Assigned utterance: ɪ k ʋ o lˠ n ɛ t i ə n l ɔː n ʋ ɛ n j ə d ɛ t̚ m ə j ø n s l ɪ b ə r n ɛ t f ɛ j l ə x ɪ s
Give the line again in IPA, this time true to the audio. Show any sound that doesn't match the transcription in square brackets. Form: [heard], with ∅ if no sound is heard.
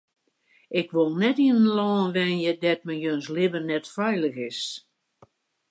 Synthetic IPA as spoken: ɪ k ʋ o lˠ n ɛ t i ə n l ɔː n ʋ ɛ n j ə d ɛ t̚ m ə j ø n s l ɪ b ə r n ɛ t f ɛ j l ə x ɪ s